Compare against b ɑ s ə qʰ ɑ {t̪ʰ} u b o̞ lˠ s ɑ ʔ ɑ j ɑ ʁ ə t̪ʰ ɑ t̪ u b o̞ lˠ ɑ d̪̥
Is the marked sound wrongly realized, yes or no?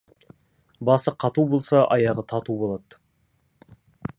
yes